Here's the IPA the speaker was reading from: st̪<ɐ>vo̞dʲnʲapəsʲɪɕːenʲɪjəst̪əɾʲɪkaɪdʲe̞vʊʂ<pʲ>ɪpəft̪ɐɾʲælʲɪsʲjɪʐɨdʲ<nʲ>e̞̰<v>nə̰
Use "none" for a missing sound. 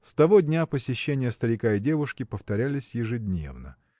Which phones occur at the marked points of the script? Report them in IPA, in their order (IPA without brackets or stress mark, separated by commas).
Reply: ɐ, kʲ, nʲ, v